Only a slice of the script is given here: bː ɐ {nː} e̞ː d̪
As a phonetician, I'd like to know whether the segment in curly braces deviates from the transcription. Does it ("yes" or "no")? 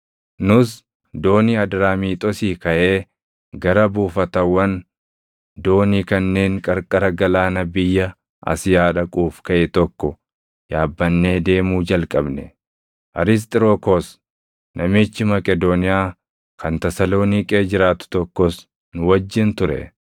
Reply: no